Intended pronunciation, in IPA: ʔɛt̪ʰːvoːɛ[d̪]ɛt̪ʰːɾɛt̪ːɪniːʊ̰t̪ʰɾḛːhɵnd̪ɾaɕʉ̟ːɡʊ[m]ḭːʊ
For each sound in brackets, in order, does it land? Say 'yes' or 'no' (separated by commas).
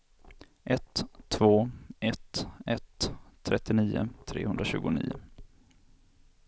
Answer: no, no